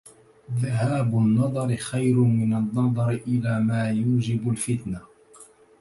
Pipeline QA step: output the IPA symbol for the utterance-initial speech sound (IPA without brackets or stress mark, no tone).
ð